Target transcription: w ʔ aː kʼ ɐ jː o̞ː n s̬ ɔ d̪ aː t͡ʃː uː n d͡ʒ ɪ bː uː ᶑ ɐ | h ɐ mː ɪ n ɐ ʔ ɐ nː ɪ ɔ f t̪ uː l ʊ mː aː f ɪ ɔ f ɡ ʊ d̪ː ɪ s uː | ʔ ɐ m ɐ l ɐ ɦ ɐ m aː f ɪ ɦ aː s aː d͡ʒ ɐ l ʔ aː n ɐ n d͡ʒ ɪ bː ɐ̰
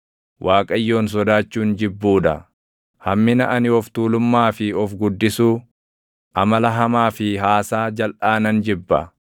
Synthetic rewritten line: w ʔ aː kʼ ɐ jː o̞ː n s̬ ɔ d̪ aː t͡ʃː uː n d͡ʒ ɪ bː uː ᶑ ɐ | h ɐ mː ɪ n ɐ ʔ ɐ n ɪ ɔ f t̪ uː l ʊ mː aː f ɪ ɔ f ɡ ʊ d̪ː ɪ s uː | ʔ ɐ m ɐ l ɐ ɦ ɐ m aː f ɪ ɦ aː s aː d͡ʒ ɐ l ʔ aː n ɐ n d͡ʒ ɪ bː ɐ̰